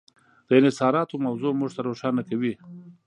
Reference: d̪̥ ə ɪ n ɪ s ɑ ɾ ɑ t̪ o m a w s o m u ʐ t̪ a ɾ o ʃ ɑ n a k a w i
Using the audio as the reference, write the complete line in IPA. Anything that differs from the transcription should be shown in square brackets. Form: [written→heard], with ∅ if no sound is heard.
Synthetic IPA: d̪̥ ə ɪ n ɪ s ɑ ɾ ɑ t̪ o m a w [s→z] o m u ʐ t̪ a ɾ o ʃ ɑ n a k a w i